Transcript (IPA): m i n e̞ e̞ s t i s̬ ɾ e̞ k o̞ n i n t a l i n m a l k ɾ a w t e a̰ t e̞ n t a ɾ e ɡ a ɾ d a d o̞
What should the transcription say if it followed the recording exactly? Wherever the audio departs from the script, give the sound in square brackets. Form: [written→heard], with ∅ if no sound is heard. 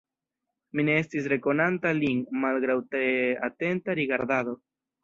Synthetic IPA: m i n e̞ e̞ s t i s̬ ɾ e̞ k o̞ n [i→a] n t a l i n m a l [k→ɡ] ɾ a w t e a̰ t e̞ n t a ɾ [e→i] ɡ a ɾ d a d o̞